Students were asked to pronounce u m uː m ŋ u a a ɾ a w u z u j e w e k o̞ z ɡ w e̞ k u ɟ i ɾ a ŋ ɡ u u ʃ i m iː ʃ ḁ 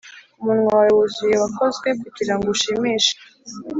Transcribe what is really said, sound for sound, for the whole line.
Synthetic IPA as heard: u m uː n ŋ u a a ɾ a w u z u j e w a k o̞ z ɡ w e̞ k u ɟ i ɾ a ŋ ɡ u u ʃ i m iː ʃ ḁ